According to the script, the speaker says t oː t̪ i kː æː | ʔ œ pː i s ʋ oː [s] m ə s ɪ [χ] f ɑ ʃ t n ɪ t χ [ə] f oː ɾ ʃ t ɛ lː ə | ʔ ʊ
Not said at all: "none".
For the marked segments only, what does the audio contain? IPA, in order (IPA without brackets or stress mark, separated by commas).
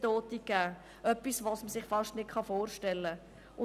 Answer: s, χ, ɑ